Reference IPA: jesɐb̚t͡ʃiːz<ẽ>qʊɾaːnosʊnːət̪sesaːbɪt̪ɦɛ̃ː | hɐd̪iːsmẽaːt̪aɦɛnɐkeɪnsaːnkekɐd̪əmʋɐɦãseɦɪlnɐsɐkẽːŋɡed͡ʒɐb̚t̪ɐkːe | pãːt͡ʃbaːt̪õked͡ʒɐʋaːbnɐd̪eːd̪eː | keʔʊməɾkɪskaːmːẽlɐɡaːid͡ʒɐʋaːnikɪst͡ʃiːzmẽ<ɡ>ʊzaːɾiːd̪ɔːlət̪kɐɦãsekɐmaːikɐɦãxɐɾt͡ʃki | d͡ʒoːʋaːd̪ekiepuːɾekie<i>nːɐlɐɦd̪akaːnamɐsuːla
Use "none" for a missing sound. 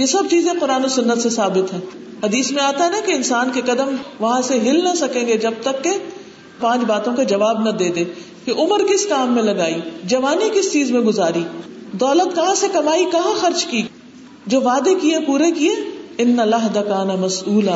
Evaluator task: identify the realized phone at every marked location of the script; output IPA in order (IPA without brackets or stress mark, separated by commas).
ẽ, ɡ, ɪ